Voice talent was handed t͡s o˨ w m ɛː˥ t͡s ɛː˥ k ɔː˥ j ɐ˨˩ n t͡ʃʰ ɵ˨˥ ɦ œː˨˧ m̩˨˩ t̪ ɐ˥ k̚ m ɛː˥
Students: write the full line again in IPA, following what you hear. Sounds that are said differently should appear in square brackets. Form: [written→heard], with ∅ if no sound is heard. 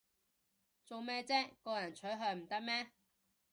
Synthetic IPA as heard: t͡s o˨ w m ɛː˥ t͡s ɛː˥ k [ɔː˥→ɔː˧] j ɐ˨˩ n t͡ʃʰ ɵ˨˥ ɦ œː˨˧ m̩˨˩ t̪ ɐ˥ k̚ m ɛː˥